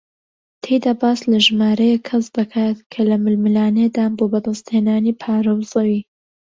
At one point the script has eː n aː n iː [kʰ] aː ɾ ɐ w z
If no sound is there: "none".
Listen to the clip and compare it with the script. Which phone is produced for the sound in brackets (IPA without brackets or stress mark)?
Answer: pʰ